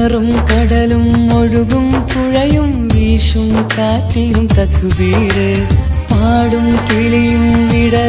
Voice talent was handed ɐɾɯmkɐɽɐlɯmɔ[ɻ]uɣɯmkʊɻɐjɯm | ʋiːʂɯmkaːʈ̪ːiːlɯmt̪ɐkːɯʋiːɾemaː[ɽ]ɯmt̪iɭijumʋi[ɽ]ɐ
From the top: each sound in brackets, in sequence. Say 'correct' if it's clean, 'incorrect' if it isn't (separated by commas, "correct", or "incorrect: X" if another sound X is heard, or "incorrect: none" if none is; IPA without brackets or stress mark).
correct, correct, correct